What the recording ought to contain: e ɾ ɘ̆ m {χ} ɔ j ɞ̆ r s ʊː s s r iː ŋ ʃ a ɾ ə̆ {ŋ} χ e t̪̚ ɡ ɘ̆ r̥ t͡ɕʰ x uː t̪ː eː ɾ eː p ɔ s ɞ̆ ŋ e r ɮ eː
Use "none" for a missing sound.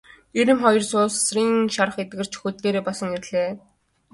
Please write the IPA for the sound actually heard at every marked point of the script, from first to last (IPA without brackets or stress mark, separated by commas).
χ, none